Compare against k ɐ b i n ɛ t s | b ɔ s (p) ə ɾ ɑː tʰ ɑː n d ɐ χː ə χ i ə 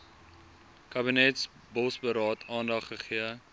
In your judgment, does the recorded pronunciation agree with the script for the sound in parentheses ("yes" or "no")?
no